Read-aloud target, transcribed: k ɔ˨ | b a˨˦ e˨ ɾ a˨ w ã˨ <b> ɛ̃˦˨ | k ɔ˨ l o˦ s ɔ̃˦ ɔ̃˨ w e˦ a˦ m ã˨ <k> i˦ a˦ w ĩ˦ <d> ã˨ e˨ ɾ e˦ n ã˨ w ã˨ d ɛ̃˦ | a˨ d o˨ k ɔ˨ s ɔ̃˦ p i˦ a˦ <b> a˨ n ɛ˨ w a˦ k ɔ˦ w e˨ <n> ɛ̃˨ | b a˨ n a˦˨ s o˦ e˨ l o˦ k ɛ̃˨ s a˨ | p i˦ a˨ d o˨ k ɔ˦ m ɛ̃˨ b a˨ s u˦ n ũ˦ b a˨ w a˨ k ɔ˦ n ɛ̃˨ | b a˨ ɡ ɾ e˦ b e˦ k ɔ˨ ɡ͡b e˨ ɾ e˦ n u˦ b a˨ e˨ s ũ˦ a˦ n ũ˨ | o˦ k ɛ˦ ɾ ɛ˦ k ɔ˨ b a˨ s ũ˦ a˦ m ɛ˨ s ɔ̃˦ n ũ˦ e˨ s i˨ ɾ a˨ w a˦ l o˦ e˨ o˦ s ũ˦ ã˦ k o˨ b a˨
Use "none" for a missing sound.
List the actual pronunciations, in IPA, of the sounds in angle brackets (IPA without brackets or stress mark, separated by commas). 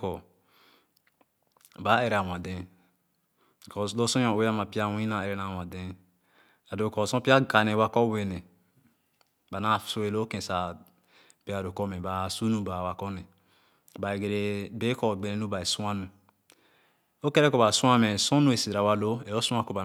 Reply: d, p, n, ɡ, n